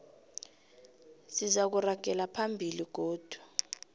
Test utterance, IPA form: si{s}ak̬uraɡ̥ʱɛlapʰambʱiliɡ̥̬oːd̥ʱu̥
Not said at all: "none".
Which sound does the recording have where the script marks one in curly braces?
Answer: z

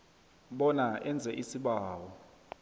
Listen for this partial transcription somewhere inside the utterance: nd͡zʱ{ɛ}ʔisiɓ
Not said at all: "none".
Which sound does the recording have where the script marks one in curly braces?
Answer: ɛ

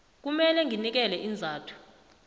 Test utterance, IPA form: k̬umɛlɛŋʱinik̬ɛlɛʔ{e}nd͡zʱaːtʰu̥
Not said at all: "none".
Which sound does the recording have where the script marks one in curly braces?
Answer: i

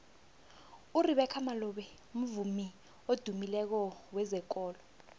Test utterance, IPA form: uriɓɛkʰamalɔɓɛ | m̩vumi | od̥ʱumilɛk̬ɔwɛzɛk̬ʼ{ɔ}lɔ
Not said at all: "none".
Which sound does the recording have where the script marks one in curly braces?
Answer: ɔː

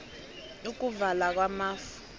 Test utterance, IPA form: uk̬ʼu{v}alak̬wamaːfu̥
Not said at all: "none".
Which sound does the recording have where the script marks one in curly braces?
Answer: v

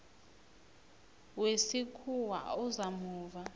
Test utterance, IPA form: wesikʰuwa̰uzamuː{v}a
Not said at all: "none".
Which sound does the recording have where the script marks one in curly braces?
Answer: v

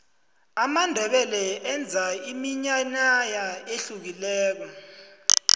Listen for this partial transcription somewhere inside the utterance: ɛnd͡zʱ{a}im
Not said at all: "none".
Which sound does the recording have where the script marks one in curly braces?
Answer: a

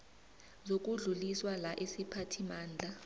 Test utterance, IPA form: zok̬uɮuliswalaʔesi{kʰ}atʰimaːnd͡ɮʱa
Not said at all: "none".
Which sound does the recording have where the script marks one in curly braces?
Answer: pʰ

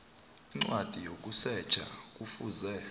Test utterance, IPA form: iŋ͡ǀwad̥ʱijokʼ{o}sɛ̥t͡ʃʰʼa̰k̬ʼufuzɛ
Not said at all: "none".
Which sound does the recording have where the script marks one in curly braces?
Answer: u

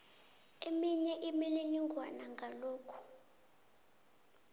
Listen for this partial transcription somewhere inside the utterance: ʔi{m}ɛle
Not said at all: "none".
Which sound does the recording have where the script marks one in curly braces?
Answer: m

